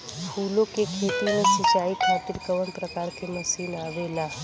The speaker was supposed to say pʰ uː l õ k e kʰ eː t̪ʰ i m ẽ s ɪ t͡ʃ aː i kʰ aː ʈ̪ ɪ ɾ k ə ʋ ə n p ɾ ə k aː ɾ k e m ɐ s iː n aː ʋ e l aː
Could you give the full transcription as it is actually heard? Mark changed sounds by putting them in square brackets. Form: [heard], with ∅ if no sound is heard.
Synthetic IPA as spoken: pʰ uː l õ k e kʰ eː [t̪] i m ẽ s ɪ t͡ʃ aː i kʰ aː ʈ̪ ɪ ɾ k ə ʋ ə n p ɾ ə k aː ɾ k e m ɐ s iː n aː ʋ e l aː